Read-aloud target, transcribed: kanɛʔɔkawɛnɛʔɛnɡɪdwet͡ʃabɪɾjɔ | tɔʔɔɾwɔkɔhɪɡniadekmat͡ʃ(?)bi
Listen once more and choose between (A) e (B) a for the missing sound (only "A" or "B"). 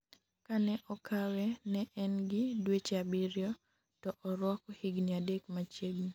A